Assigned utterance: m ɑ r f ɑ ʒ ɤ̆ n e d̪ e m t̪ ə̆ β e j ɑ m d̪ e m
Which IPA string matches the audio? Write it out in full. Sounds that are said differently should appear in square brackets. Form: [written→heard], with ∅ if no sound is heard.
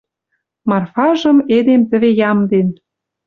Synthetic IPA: m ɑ r f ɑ ʒ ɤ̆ [n→m] e d̪ e m t̪ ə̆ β e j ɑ m d̪ e [m→n]